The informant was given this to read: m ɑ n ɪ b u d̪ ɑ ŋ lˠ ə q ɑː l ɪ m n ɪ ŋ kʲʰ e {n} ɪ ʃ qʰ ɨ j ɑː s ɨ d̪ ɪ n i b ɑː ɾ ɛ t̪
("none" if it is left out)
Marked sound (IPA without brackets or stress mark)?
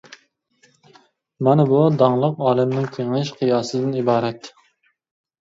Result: ŋ